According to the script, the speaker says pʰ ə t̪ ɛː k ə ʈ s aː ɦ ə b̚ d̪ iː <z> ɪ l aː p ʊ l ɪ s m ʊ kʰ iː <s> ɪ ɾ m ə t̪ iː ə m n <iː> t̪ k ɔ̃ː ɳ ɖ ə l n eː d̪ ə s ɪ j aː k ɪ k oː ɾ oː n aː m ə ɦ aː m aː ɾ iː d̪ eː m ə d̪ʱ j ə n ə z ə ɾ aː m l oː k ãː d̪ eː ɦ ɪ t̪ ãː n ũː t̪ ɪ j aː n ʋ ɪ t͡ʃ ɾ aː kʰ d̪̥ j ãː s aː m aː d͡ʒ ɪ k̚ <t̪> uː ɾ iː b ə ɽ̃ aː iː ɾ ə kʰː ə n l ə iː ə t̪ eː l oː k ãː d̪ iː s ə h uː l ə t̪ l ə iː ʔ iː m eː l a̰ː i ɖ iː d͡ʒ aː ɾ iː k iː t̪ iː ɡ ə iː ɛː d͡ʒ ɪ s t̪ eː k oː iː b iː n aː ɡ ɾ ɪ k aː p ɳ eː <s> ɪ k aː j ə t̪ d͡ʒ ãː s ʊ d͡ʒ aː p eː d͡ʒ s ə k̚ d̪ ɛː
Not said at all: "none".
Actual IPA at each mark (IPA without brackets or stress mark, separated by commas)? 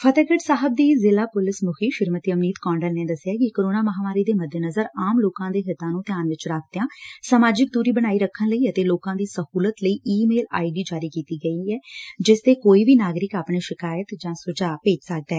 z, ʃ, iː, d̪, ʃ